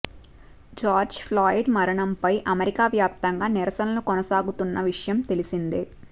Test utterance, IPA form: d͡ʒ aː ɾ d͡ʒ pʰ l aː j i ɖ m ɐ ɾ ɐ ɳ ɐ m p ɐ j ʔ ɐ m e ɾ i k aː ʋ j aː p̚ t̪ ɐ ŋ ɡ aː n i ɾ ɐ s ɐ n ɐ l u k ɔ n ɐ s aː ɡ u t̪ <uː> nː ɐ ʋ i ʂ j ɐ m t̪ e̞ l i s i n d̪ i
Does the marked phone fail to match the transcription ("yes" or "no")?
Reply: yes